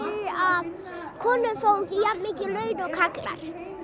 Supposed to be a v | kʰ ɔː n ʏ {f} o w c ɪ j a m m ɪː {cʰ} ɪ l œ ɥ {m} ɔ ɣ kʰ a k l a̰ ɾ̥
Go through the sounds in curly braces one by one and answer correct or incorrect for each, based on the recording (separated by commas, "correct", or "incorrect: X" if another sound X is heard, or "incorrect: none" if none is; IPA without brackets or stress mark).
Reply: correct, incorrect: c, incorrect: n